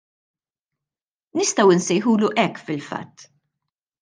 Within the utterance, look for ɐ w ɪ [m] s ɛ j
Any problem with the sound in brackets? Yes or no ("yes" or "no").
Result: yes